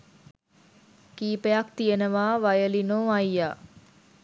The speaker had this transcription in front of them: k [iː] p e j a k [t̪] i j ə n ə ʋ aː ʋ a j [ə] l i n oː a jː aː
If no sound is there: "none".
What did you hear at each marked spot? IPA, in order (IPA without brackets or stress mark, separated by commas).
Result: iː, t̪, ə